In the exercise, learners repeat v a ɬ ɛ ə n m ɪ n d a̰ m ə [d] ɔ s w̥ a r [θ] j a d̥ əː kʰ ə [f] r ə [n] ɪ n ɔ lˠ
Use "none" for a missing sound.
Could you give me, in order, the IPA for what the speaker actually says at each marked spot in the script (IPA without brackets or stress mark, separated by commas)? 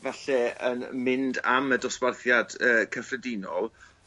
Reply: d, θ, f, d